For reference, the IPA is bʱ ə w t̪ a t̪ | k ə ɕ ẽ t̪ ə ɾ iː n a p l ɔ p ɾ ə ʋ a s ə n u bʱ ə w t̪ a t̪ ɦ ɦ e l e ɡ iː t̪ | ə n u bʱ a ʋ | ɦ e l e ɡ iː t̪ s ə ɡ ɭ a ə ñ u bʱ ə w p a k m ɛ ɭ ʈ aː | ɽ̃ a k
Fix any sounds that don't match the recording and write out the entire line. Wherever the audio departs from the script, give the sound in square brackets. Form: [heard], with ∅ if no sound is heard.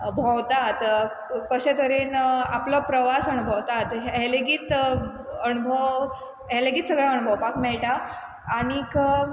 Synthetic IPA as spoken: bʱ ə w t̪ a t̪ | k ə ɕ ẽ t̪ ə ɾ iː n a p l ɔ p ɾ ə ʋ a s ə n u bʱ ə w t̪ a t̪ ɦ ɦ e l e ɡ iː t̪ | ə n u bʱ [ə] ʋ | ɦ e l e ɡ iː t̪ s ə ɡ ɭ a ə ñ u bʱ ə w p a k m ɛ ɭ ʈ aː | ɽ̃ [i] k